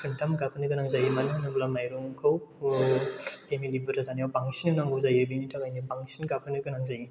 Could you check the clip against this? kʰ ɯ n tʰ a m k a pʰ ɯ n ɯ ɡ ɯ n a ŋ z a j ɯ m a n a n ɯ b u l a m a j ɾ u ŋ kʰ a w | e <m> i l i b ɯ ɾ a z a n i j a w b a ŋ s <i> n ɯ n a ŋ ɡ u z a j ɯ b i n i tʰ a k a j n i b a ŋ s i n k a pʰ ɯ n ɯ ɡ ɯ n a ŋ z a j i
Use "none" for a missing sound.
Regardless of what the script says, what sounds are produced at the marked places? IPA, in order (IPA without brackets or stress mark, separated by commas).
m, i